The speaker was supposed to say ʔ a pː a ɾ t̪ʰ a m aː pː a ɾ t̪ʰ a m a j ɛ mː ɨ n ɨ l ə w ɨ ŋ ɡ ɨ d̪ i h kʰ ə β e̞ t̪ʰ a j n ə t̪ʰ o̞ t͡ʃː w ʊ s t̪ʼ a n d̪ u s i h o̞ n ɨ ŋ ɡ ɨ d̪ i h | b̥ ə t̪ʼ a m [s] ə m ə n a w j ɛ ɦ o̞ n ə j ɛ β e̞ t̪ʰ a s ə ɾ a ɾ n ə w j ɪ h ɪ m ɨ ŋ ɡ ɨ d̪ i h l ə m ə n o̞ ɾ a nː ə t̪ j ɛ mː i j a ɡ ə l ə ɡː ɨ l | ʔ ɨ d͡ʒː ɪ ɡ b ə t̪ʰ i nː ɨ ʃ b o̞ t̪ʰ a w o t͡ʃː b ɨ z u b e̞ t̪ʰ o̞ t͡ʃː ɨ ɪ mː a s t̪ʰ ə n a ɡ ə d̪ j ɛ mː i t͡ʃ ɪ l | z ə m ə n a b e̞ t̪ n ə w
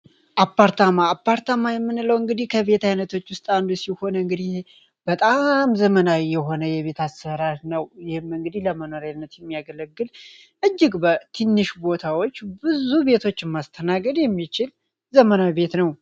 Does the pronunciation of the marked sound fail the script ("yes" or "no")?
yes